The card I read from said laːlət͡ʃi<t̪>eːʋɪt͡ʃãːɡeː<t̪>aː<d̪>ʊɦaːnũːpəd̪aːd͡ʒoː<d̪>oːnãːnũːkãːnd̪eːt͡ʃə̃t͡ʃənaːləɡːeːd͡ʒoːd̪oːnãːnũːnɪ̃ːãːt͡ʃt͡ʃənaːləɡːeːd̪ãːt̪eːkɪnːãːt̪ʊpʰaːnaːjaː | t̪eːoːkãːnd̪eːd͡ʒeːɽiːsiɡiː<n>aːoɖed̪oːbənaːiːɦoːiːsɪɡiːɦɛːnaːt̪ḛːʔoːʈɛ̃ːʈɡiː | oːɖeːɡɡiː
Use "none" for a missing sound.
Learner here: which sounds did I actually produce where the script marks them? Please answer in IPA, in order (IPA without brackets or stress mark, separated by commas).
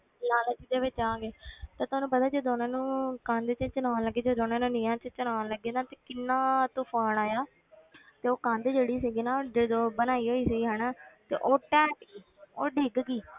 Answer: d̪, t̪, t̪, d̪, n